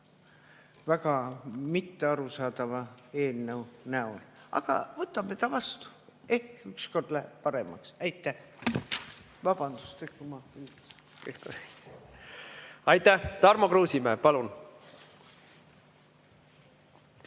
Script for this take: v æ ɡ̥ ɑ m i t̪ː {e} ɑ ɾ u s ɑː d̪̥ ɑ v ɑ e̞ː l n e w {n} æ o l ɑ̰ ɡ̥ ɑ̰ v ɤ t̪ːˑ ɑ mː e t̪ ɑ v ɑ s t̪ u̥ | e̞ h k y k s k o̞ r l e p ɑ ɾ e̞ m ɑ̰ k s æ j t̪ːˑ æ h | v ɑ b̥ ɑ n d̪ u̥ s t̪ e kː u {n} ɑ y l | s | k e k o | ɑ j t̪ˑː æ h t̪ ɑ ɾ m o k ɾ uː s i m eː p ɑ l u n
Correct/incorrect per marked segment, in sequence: correct, correct, incorrect: m

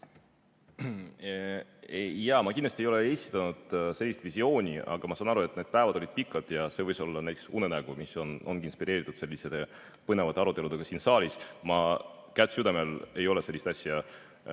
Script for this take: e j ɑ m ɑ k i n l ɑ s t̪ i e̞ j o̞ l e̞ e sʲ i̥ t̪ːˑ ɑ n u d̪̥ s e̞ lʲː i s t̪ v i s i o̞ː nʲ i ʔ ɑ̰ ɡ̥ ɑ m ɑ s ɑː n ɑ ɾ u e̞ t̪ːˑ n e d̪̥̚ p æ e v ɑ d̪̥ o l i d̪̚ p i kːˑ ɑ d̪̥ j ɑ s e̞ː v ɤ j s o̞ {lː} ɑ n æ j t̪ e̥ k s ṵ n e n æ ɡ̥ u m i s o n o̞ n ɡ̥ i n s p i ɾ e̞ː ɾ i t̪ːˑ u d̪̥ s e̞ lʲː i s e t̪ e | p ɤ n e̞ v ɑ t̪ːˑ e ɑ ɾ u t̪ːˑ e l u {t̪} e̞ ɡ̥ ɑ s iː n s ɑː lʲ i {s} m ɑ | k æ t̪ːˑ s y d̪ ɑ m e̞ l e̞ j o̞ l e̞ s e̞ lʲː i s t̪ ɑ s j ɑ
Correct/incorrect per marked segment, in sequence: correct, incorrect: d̪, correct

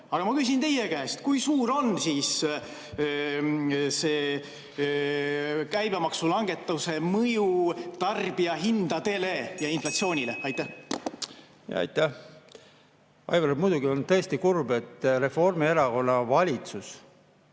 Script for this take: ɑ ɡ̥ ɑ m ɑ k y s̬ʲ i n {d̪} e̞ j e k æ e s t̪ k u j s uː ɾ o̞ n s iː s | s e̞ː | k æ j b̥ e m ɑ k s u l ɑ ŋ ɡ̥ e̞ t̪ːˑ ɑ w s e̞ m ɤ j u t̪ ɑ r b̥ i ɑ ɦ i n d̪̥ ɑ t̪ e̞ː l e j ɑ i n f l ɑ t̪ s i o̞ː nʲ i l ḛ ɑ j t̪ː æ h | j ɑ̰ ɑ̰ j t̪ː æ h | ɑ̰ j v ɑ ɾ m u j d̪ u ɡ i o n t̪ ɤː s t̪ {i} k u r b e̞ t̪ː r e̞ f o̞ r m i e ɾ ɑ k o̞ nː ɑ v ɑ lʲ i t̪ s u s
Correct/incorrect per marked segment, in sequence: incorrect: t̪, correct

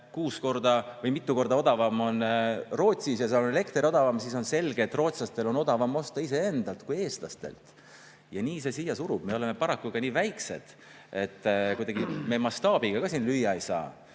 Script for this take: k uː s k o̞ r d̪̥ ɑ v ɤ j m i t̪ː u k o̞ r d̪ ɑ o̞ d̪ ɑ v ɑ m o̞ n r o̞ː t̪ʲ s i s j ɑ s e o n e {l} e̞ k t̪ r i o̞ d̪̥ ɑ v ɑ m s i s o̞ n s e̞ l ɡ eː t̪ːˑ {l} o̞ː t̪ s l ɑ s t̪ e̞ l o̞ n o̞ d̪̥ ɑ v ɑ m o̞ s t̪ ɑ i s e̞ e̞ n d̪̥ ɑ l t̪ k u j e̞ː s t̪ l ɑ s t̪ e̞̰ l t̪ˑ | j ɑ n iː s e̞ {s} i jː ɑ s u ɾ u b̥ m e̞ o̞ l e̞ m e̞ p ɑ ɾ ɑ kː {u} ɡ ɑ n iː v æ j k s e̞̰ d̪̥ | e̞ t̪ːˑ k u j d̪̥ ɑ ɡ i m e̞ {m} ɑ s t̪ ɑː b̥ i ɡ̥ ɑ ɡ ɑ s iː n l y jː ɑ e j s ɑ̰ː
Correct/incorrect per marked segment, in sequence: correct, incorrect: r, correct, correct, correct

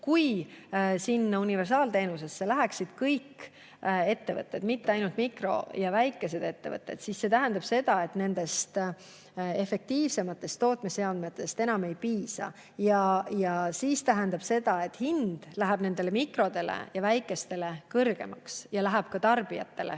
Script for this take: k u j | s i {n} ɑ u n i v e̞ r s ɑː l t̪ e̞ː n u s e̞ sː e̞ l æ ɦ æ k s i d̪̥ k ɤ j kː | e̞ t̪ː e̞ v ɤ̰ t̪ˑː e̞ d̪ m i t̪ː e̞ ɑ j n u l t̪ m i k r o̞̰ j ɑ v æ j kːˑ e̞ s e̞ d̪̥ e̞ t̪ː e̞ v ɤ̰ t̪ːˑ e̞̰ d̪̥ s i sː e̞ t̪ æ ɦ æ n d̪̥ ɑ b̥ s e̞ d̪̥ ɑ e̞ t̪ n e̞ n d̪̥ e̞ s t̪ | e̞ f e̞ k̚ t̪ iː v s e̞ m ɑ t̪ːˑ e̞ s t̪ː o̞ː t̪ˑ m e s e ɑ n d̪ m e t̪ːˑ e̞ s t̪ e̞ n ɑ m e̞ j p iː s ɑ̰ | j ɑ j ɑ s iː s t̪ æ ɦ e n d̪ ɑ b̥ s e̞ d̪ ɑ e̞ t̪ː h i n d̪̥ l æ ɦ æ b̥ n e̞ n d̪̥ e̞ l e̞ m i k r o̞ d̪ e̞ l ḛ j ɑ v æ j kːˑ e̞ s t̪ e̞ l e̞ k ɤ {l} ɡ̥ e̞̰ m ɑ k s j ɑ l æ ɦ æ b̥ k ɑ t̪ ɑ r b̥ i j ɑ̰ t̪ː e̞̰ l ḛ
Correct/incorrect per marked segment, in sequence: incorrect: nː, incorrect: r

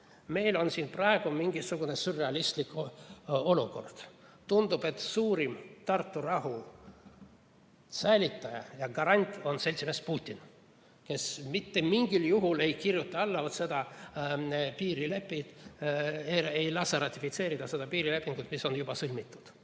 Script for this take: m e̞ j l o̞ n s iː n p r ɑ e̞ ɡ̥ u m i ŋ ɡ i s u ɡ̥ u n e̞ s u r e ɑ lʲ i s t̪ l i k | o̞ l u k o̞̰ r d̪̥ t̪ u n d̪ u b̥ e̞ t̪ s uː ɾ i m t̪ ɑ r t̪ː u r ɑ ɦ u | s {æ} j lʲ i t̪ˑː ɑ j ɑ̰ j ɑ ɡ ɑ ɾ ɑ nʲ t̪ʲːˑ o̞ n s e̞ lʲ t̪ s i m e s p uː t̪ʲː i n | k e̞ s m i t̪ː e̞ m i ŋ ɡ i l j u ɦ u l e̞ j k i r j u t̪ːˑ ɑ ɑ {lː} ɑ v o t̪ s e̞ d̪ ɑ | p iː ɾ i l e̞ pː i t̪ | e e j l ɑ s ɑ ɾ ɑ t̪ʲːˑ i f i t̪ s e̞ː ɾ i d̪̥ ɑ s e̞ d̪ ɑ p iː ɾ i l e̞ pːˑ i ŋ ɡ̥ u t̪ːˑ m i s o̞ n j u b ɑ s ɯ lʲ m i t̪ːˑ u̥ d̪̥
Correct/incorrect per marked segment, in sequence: correct, correct

